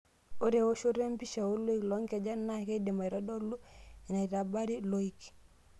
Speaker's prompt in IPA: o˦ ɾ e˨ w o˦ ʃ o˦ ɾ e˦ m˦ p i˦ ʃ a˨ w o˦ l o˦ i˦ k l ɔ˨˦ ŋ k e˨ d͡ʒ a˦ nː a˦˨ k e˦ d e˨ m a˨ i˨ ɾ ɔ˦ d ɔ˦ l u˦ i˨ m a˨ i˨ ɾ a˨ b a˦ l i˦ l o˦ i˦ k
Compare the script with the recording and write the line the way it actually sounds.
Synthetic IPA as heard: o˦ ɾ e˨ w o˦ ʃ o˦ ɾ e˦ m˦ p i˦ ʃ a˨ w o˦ l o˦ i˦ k l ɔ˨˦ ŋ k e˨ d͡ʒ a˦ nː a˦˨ k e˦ d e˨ m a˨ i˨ ɾ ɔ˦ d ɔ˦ l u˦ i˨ n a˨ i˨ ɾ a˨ b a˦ ɾ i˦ l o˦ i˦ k